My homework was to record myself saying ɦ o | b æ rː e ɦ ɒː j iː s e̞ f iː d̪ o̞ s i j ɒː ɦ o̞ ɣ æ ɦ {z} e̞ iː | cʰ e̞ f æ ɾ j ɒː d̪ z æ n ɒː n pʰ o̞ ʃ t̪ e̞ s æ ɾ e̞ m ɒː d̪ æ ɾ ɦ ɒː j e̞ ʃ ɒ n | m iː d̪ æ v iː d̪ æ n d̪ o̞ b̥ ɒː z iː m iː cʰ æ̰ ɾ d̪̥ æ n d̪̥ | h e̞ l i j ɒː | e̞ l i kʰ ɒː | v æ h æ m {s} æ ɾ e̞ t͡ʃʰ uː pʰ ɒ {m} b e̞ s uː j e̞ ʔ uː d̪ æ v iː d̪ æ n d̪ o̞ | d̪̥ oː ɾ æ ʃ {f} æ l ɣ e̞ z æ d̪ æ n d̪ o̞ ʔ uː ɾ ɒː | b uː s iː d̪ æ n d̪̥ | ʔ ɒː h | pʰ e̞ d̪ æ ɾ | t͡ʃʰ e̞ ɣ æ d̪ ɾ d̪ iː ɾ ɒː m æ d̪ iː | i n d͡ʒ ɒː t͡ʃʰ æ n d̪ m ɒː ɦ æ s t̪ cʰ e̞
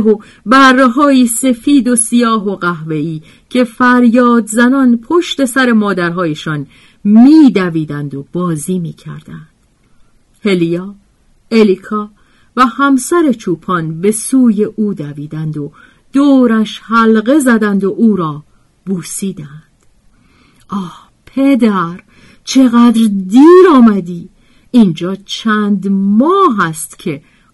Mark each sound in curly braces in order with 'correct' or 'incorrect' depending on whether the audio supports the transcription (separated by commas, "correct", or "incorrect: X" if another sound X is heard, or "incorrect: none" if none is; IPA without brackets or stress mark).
incorrect: v, correct, incorrect: n, incorrect: h